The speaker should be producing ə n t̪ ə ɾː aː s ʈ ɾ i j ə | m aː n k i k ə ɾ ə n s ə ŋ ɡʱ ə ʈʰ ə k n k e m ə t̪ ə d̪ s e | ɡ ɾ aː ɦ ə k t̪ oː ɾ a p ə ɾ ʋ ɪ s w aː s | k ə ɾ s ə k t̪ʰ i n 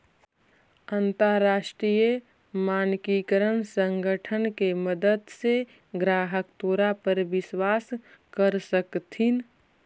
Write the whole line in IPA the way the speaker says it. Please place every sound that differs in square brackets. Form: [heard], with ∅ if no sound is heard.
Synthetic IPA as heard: ə n t̪ ə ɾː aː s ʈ ɾ i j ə | m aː n k i k ə ɾ ə n s ə ŋ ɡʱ ə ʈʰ ə [∅] n k e m ə [d̪] ə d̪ s e | ɡ ɾ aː ɦ ə k t̪ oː ɾ a p ə ɾ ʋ ɪ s w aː s | k ə ɾ s ə k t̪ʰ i n